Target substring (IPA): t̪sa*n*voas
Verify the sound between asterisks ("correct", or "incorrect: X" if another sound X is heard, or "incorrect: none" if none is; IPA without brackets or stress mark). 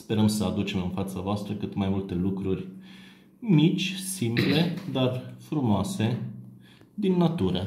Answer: incorrect: none